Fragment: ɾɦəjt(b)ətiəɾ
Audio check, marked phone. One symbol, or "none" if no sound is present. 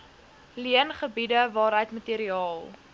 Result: m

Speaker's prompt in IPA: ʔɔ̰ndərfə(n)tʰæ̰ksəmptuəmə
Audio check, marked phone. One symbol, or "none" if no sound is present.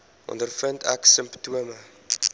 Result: n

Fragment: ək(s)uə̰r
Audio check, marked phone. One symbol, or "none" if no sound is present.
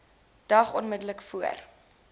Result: f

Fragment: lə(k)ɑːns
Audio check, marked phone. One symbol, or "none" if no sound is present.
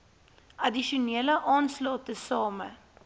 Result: ʔ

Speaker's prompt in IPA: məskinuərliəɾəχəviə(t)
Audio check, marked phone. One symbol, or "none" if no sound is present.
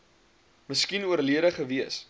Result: s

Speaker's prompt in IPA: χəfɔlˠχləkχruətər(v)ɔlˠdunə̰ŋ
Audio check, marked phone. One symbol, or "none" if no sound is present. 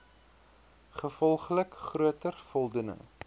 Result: f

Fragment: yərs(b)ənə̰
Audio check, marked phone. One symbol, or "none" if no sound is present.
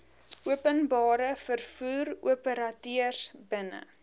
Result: b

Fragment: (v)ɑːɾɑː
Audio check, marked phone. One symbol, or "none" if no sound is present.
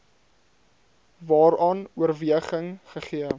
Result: v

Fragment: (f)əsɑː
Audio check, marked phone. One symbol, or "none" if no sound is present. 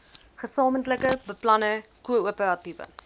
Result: χ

